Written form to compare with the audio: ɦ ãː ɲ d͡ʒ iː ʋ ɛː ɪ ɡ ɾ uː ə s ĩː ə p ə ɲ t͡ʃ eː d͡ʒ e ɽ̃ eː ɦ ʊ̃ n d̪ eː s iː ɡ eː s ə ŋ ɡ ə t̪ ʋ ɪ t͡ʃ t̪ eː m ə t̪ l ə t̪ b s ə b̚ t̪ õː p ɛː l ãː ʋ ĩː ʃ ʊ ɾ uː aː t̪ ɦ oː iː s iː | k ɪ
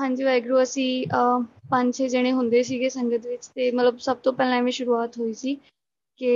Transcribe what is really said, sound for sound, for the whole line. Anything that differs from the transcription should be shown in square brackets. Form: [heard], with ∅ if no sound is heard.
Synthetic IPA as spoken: ɦ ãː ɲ d͡ʒ iː ʋ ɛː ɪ ɡ ɾ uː ə s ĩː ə p ə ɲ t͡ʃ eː d͡ʒ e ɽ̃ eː ɦ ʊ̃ n d̪ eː s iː ɡ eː s ə ŋ ɡ ə t̪ ʋ ɪ t͡ʃ t̪ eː m ə t̪ l ə [∅] b s ə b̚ t̪ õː p ɛː l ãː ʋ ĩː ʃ ʊ ɾ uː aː t̪ ɦ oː iː s iː | k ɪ